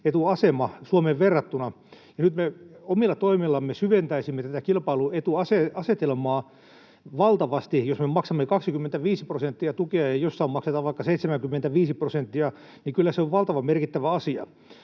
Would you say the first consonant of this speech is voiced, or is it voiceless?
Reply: voiceless